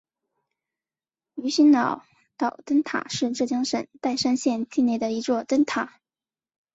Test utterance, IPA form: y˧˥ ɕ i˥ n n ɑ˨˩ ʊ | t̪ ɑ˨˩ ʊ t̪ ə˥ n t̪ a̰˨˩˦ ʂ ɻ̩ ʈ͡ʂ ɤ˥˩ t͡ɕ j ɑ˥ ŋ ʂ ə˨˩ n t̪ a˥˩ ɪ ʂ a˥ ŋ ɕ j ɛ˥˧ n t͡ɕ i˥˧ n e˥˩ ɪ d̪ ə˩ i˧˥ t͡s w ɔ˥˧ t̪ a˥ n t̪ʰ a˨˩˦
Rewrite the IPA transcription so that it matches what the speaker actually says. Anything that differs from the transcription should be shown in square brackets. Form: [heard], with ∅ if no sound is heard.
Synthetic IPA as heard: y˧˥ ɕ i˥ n n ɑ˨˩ ʊ | t̪ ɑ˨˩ ʊ t̪ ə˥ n [t̪ʰ] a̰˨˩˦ ʂ ɻ̩ ʈ͡ʂ ɤ˥˩ t͡ɕ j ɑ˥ ŋ ʂ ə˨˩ n t̪ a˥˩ ɪ ʂ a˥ [n] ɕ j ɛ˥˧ n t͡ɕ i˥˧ n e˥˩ ɪ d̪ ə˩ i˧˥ t͡s w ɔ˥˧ t̪ [ə˥] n t̪ʰ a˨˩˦

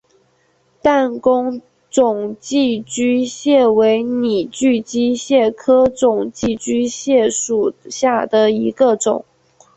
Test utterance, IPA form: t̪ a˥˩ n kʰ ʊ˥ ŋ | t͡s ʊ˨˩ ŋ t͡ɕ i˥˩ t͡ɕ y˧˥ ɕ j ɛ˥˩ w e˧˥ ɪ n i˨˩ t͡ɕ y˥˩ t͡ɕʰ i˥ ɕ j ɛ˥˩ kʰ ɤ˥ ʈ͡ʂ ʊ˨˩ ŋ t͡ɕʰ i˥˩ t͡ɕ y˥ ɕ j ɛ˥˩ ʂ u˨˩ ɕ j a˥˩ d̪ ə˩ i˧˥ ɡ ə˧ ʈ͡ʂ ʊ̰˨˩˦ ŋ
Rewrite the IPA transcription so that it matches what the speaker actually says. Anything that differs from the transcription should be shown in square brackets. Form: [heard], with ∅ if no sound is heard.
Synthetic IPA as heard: t̪ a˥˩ n [k] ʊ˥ ŋ | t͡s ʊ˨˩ ŋ t͡ɕ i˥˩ t͡ɕ [y˥] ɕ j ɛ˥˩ w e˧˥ ɪ n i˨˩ t͡ɕ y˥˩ [t͡ɕ] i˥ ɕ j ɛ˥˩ kʰ ɤ˥ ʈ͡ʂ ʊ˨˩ ŋ [t͡ɕ] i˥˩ t͡ɕ y˥ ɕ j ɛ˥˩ ʂ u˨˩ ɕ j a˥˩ d̪ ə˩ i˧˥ ɡ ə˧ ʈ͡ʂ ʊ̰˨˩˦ ŋ

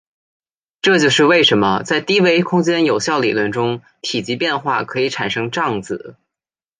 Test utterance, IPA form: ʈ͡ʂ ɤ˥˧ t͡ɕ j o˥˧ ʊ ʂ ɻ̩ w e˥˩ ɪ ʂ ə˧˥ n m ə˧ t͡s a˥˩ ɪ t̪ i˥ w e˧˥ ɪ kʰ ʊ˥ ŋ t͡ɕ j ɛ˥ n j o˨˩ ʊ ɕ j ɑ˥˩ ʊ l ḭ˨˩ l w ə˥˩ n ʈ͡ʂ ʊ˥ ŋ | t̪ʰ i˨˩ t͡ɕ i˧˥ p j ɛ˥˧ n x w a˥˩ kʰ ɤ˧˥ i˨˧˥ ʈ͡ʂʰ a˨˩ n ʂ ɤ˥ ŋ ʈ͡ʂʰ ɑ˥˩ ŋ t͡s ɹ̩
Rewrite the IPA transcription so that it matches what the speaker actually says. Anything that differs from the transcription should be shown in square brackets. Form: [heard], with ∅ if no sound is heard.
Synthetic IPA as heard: ʈ͡ʂ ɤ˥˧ t͡ɕ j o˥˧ ʊ ʂ ɻ̩ w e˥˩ ɪ ʂ ə˧˥ n m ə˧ t͡s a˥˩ ɪ t̪ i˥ w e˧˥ ɪ kʰ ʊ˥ ŋ t͡ɕ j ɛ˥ n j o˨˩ ʊ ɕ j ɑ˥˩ ʊ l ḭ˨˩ l w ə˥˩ n ʈ͡ʂ ʊ˥ ŋ | t̪ʰ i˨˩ t͡ɕ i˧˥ p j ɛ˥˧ n x w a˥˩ kʰ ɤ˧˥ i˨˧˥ ʈ͡ʂʰ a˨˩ n ʂ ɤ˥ ŋ [ʈ͡ʂ] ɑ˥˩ ŋ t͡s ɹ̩

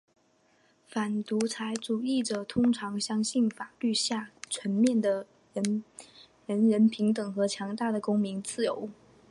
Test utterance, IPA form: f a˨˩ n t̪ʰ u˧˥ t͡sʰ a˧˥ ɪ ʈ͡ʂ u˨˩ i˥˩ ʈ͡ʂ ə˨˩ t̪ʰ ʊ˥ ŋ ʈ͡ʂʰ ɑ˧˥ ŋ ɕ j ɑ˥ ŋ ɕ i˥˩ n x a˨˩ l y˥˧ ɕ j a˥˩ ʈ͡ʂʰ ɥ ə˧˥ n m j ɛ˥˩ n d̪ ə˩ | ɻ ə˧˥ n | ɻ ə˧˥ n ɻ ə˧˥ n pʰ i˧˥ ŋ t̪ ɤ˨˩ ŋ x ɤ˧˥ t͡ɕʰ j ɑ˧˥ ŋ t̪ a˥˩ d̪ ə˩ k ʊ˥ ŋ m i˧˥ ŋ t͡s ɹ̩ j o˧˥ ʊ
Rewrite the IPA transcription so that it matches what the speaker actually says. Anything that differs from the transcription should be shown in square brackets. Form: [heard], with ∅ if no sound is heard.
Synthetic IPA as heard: f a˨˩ n [t̪] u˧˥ t͡sʰ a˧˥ ɪ ʈ͡ʂ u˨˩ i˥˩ ʈ͡ʂ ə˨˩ t̪ʰ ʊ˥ ŋ ʈ͡ʂʰ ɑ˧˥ ŋ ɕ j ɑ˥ ŋ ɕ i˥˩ n [f] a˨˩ l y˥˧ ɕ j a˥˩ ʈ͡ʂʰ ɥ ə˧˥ n m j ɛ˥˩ n d̪ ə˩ | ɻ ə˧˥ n | ɻ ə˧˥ n ɻ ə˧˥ n pʰ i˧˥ ŋ t̪ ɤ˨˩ ŋ x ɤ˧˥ t͡ɕʰ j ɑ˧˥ ŋ t̪ a˥˩ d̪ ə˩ k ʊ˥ ŋ m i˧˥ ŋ t͡s ɹ̩ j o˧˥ ʊ

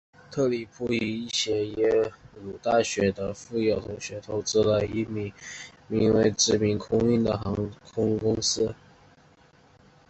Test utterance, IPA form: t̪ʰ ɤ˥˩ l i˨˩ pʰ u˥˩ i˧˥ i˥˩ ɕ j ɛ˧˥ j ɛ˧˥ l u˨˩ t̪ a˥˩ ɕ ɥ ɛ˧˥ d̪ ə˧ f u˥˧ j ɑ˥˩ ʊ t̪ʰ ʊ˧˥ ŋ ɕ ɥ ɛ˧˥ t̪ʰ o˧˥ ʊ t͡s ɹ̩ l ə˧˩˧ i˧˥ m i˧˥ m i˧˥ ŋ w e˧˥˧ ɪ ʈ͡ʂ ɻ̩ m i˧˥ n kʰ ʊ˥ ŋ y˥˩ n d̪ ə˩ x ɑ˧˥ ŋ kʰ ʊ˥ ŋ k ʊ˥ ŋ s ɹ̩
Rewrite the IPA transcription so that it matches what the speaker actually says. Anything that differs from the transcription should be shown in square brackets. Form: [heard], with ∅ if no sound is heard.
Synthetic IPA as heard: t̪ʰ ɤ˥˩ l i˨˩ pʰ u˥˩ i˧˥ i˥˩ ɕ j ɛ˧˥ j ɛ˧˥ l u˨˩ t̪ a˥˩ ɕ ɥ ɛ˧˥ d̪ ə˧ f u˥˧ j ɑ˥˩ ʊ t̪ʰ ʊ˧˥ ŋ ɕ ɥ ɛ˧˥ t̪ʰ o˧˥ ʊ t͡s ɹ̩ l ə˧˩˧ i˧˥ m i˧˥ m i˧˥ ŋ w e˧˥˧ ɪ ʈ͡ʂ ɻ̩ m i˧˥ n kʰ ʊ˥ ŋ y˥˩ n d̪ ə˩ x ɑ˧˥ ŋ kʰ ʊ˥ ŋ k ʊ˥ ŋ s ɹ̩

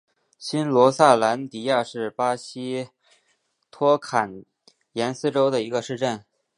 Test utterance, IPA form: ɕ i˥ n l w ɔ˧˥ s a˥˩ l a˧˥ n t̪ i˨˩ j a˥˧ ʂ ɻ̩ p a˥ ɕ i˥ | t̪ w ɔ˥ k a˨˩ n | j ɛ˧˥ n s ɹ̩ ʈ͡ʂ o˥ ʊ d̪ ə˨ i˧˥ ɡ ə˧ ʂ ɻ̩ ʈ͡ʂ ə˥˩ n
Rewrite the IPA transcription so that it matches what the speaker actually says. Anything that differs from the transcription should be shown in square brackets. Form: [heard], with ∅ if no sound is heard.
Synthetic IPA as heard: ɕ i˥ n l w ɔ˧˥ s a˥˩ l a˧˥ n t̪ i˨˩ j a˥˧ ʂ ɻ̩ p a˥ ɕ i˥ | [t̪ʰ] w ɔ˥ [kʰ] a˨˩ n | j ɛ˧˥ n s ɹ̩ ʈ͡ʂ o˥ ʊ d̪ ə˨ i˧˥ ɡ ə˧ ʂ ɻ̩ ʈ͡ʂ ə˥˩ n

